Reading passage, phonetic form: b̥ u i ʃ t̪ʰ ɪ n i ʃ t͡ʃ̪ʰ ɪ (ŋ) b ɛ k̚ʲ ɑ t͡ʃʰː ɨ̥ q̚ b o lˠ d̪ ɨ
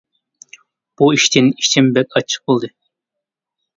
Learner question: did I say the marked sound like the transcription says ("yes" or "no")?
no